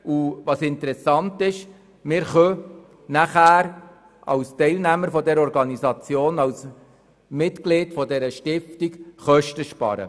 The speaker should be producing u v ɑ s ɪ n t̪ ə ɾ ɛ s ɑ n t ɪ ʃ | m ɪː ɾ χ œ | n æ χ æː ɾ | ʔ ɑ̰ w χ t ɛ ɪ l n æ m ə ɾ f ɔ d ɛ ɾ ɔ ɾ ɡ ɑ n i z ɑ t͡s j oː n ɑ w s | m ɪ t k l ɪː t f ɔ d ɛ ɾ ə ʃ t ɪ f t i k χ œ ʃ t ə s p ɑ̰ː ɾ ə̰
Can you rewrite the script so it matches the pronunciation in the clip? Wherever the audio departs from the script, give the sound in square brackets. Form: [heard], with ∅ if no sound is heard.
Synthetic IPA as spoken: u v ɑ s ɪ n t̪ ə ɾ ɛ s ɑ n t ɪ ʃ | m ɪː ɾ χ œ | n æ χ æː ɾ | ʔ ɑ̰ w [s] t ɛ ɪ l n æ m ə ɾ f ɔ d ɛ ɾ ɔ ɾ ɡ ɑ n i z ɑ t͡s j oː n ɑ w s | m ɪ t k l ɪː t f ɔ d ɛ ɾ ə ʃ t ɪ f t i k χ œ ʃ t ə [ʃ] p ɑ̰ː ɾ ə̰